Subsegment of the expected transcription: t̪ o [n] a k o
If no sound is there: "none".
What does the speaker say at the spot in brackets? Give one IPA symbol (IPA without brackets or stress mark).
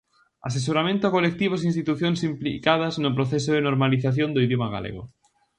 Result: none